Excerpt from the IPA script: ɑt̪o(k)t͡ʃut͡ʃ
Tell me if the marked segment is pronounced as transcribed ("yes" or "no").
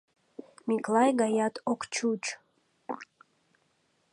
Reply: yes